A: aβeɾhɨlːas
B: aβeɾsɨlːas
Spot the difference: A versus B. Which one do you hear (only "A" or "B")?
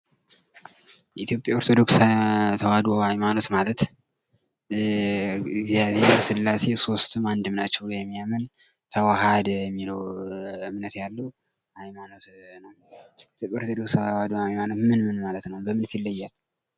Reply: B